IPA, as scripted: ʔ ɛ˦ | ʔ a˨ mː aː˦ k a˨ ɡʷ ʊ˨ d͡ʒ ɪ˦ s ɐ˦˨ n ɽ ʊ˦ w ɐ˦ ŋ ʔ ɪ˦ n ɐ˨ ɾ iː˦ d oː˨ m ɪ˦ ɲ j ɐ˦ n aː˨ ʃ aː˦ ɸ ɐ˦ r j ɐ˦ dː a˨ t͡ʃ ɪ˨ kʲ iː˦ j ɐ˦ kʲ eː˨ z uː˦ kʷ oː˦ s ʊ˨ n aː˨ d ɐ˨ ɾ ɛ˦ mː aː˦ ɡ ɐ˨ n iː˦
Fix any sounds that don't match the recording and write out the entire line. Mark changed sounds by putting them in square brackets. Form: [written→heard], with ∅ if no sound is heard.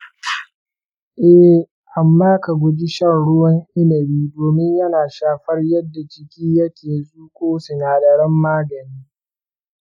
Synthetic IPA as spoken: ʔ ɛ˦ | ʔ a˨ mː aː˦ k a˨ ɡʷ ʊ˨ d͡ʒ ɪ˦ [s→ʃ] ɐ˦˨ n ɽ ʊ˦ w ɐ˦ ŋ ʔ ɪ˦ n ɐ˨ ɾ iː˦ d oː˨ m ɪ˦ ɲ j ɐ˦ n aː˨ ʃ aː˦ ɸ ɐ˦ r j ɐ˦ dː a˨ t͡ʃ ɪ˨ kʲ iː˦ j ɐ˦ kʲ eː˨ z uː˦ kʷ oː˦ s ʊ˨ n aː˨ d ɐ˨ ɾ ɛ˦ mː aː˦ ɡ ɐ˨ n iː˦